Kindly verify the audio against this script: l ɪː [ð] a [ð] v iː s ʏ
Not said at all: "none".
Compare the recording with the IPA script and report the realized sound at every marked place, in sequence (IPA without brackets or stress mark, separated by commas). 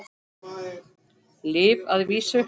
v, ð